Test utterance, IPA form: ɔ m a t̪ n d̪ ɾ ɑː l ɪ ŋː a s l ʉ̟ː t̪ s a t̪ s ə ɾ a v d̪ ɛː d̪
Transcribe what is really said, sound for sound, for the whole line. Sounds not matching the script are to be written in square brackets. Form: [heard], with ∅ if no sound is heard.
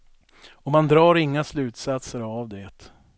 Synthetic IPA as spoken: ɔ m a [∅] n d̪ ɾ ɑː [ɾ] ɪ ŋː a s l ʉ̟ː t̪ s a t̪ s ə ɾ a v d̪ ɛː [t̪]

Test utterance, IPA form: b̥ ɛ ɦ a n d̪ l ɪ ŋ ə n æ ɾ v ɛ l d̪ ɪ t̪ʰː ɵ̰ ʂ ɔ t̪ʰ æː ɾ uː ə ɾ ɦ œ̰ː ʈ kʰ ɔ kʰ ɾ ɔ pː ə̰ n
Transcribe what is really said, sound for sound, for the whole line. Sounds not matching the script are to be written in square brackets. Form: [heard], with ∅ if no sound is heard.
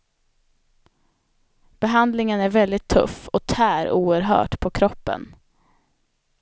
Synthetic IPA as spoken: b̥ ɛ ɦ a n d̪ l ɪ ŋ ə n æ ɾ v ɛ l d̪ ɪ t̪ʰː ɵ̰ [f] ɔ t̪ʰ æː ɾ uː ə ɾ ɦ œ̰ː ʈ [pʰ] ɔ kʰ ɾ ɔ pː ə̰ n

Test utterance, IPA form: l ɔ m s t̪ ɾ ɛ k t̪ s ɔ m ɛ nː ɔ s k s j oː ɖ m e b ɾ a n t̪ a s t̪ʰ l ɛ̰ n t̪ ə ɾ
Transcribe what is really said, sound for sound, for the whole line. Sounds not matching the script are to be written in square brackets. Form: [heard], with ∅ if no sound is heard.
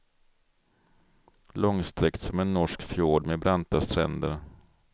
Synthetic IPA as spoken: l ɔ [ŋ] s t̪ ɾ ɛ k t̪ s ɔ m ɛ nː ɔ [ʂ] k [f] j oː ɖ m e b ɾ a n t̪ a s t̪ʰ [ɾ] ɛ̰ n [d̪] ə ɾ

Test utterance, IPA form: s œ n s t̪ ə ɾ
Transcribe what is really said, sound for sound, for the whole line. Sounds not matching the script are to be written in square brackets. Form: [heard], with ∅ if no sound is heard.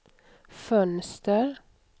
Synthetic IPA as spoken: [f] œ n s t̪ ə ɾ

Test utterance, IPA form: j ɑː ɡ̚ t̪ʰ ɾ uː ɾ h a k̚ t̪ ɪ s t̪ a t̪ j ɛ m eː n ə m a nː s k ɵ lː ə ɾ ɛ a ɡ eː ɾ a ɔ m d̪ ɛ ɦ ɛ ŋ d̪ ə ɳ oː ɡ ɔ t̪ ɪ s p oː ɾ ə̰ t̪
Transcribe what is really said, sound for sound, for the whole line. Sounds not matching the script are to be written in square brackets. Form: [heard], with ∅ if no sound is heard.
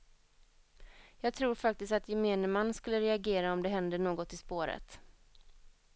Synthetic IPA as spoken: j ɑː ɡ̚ t̪ʰ ɾ uː ɾ [f] a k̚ t̪ ɪ s t̪ a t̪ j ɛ m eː n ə m a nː s k ɵ lː ə ɾ ɛ a ɡ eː ɾ a ɔ m d̪ ɛ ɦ ɛ [n] d̪ ə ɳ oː ɡ ɔ t̪ ɪ s p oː ɾ ə̰ t̪

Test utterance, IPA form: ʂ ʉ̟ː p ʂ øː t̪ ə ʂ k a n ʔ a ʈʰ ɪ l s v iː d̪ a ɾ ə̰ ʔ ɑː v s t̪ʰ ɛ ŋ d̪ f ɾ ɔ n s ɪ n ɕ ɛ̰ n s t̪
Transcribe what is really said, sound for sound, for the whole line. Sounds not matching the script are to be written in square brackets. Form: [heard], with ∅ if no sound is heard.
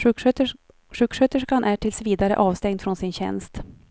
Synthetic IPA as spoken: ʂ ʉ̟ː [k] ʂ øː t̪ ə ʂ k a n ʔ [æ] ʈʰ ɪ l s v iː d̪ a ɾ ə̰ ʔ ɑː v s [t̪] ɛ ŋ d̪ f ɾ ɔ n s ɪ n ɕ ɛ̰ n s t̪

